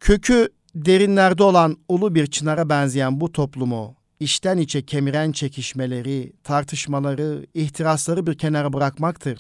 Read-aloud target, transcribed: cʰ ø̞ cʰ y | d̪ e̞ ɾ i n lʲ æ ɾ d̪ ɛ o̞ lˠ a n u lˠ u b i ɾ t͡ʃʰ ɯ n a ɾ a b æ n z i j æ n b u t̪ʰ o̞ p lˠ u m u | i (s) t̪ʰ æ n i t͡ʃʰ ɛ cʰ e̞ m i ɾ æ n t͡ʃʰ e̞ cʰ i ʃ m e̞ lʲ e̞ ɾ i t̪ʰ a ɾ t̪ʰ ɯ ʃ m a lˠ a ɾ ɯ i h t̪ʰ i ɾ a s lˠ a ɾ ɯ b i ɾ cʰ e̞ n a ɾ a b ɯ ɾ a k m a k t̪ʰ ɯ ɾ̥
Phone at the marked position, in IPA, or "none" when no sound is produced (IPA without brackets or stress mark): ʃ